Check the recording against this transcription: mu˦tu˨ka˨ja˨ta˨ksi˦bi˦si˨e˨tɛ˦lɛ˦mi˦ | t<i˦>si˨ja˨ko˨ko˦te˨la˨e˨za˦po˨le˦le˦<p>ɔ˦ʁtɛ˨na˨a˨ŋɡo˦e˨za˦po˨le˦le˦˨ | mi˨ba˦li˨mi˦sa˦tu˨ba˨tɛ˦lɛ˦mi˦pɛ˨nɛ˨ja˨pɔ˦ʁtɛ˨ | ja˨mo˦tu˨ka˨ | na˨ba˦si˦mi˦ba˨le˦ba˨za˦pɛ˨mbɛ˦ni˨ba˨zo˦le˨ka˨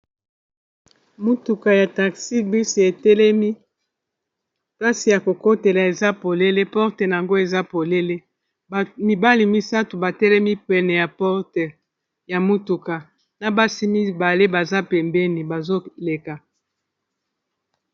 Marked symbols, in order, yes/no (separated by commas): no, yes